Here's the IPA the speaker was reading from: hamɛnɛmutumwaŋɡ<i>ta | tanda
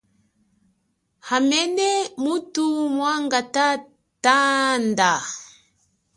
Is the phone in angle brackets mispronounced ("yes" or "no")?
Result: yes